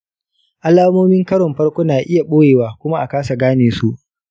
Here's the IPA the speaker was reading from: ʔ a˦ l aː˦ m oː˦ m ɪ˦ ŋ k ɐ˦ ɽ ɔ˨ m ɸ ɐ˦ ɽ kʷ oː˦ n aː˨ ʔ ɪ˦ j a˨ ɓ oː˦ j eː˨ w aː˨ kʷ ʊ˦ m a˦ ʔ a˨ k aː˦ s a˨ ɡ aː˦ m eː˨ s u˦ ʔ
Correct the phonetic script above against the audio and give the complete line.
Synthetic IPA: ʔ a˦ l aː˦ m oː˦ m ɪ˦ ŋ k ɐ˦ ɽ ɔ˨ m ɸ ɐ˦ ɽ kʷ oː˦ n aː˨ ʔ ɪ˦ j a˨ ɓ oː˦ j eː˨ w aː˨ kʷ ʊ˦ m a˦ ʔ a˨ k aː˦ s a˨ ɡ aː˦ n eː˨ s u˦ ʔ

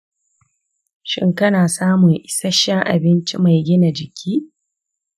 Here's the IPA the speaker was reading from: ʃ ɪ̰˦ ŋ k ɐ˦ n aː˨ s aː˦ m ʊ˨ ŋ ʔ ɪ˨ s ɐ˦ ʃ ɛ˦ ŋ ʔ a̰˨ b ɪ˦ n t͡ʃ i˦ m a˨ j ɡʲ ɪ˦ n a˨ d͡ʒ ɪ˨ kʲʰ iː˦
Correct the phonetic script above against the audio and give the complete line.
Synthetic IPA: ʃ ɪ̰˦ ŋ k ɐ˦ n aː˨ s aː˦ m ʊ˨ ŋ ʔ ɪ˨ s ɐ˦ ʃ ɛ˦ ŋ ʔ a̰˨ b ɪ˦ n t͡ʃ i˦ m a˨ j ɡʲ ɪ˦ n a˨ d͡ʒ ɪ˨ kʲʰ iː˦

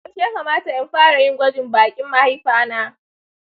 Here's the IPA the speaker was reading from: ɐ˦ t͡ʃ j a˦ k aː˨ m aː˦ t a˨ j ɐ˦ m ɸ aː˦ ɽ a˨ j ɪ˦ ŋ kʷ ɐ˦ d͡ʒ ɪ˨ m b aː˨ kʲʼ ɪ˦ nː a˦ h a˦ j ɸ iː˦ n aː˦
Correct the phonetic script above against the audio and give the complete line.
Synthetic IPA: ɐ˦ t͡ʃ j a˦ k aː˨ m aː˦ t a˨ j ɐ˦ m ɸ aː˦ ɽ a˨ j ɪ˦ ŋ ɡʷ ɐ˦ d͡ʒ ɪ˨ m b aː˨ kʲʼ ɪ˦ mː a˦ h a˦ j ɸ aː˦ n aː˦

